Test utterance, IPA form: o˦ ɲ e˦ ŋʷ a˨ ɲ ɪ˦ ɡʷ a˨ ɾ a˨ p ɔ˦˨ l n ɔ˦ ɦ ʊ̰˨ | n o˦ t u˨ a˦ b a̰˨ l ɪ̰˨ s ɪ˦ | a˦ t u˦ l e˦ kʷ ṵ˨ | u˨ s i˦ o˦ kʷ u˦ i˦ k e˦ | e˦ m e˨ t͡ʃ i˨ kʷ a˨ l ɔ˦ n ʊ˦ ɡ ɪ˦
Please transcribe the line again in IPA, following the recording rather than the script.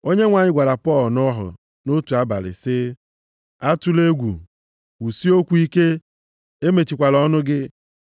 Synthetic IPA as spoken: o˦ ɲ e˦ ŋʷ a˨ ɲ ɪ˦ ɡʷ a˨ ɾ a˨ p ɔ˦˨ l n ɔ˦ ɦ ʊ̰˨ | n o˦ t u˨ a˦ b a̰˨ l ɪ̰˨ s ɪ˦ | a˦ t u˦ l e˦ ɡʷ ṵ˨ | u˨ s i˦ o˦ kʷ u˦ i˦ k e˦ | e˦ m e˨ t͡ʃ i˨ kʷ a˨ l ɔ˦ n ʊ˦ ɡ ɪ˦